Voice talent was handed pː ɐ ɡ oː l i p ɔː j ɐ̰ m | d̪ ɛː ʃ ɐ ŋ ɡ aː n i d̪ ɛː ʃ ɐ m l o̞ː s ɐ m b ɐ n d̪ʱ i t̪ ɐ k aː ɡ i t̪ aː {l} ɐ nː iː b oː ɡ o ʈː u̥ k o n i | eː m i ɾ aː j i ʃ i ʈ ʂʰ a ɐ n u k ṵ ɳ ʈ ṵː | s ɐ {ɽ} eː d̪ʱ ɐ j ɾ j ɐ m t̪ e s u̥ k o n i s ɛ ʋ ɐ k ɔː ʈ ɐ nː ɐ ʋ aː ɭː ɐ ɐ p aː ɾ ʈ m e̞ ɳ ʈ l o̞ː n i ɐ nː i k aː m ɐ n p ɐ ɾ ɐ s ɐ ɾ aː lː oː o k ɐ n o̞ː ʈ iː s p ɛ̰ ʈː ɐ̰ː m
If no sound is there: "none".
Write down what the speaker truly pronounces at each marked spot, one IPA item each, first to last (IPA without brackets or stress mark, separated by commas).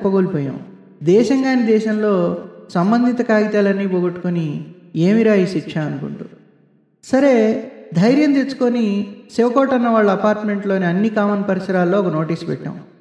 l, ɾ